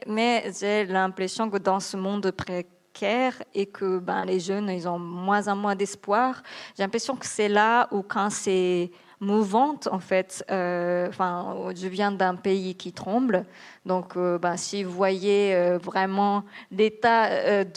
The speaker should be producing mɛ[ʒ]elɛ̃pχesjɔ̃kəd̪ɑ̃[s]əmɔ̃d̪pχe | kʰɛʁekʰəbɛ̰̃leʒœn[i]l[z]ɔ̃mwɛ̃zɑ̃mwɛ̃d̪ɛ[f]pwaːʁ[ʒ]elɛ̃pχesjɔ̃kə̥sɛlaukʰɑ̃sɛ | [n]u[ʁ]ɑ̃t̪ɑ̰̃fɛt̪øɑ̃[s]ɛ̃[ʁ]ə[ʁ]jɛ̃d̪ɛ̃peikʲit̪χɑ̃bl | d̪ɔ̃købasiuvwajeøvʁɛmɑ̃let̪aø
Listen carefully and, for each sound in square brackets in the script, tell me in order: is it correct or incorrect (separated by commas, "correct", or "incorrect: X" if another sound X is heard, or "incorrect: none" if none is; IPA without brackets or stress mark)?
correct, correct, correct, correct, incorrect: s, correct, incorrect: m, incorrect: v, incorrect: f, incorrect: ʒ, incorrect: v